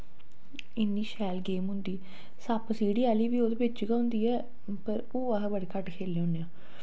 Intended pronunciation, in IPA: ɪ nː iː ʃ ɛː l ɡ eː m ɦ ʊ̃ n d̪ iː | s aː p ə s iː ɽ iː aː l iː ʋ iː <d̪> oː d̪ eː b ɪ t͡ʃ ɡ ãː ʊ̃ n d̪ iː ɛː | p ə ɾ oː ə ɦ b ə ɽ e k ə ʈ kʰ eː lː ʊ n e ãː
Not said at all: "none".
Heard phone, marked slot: none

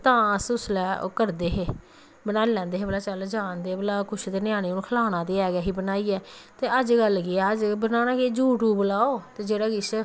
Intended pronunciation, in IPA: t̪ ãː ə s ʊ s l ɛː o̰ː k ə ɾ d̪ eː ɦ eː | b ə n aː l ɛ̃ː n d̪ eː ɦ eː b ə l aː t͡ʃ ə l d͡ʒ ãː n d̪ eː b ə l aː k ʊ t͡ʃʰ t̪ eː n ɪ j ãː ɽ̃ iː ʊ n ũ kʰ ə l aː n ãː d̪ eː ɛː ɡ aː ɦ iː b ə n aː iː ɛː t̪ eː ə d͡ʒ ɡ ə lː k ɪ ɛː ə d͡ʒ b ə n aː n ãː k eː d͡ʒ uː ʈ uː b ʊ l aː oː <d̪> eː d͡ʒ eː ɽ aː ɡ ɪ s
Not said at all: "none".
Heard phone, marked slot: t̪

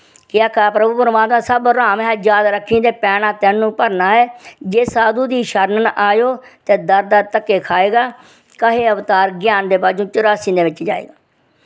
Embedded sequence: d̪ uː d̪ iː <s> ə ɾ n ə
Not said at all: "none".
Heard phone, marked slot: ʃ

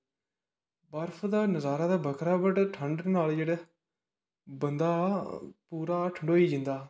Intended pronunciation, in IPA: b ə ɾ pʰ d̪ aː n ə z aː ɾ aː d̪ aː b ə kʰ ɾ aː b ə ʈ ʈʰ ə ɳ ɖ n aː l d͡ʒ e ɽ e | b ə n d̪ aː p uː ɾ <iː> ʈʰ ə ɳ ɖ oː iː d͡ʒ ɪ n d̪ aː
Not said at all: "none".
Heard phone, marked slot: aː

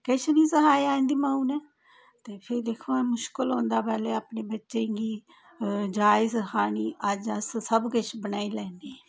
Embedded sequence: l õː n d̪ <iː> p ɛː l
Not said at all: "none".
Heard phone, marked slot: aː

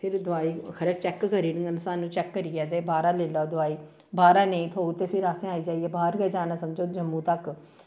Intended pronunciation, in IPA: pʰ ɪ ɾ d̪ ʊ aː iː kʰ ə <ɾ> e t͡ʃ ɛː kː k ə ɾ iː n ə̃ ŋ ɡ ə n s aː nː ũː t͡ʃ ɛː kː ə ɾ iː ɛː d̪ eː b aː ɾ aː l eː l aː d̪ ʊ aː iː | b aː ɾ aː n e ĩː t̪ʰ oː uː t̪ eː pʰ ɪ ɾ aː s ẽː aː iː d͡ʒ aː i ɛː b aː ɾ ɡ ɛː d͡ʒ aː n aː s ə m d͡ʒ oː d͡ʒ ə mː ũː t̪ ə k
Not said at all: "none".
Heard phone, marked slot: ɾ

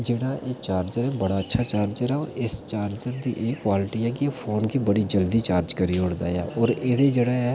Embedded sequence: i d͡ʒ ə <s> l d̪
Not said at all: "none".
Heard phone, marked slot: none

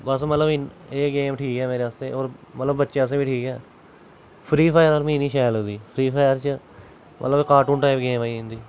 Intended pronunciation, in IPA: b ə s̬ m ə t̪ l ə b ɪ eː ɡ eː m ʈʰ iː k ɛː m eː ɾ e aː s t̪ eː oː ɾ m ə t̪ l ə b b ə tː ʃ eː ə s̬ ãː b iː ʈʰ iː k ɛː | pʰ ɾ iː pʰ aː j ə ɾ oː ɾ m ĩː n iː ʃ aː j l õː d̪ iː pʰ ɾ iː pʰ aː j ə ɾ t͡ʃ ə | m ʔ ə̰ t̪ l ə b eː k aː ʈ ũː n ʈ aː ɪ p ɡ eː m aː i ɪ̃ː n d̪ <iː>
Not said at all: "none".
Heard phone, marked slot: iː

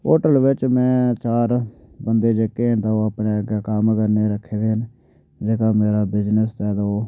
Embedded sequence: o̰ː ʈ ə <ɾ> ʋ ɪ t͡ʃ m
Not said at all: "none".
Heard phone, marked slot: l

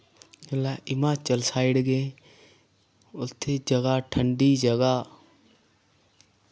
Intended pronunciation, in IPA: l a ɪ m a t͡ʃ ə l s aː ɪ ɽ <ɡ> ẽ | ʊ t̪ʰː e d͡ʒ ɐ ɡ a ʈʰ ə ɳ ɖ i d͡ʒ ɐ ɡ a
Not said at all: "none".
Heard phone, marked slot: ɡ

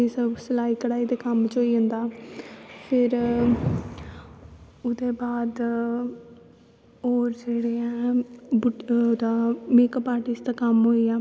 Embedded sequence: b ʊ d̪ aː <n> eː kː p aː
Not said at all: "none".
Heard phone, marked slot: m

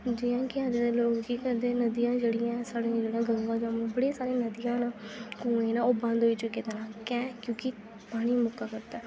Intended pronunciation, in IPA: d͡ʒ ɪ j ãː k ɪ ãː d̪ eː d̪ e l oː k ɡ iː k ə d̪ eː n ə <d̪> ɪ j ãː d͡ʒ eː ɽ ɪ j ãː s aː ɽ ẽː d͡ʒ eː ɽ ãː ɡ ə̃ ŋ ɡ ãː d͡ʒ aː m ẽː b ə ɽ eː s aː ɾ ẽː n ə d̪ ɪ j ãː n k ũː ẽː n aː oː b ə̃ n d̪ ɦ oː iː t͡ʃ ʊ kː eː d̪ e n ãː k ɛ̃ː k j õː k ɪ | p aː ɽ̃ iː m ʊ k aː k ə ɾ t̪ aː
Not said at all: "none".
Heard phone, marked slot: d̪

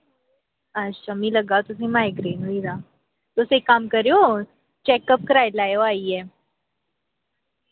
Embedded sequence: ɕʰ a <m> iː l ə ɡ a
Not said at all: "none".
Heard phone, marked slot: m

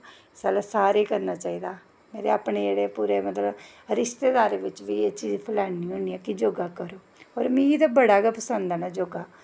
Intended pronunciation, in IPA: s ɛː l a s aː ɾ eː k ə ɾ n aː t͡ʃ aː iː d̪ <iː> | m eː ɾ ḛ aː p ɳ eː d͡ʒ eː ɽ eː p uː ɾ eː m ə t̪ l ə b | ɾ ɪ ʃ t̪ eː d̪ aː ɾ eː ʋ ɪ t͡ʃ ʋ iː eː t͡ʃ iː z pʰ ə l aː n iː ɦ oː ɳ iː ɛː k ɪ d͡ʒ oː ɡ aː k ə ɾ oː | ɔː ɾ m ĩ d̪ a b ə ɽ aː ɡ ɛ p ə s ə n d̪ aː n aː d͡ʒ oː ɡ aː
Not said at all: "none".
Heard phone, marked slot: aː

